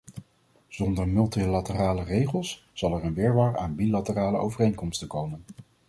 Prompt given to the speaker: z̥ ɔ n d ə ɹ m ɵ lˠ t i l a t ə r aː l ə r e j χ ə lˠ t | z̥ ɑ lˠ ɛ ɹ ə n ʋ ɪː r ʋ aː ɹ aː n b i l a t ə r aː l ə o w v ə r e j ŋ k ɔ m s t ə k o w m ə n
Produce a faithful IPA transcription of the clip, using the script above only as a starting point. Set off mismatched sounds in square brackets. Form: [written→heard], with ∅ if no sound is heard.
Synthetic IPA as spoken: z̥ ɔ n d ə ɹ m ɵ lˠ t i l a t ə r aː l ə r e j χ ə lˠ [t→s] | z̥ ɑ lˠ ɛ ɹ ə n ʋ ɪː [r→ɹ] ʋ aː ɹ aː n b i l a t ə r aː l ə o w v ə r e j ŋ k ɔ m s t ə k o w m ə n